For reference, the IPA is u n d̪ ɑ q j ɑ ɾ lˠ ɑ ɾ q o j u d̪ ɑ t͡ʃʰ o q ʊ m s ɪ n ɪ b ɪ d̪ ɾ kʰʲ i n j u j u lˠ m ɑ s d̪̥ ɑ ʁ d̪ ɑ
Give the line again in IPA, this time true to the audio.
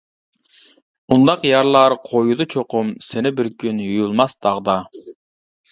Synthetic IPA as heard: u n d̪ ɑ q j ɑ ɾ lˠ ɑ ɾ qʰ o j u d̪ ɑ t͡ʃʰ o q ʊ m s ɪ n ɪ b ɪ ɾ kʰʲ y n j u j u lˠ m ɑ s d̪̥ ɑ ʁ d̪ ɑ